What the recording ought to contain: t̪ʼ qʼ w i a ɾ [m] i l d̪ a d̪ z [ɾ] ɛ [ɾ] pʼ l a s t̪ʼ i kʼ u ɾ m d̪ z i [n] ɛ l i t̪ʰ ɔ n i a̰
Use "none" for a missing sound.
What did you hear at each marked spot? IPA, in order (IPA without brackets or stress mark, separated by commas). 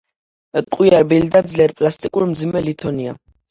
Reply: b, l, ɾ, m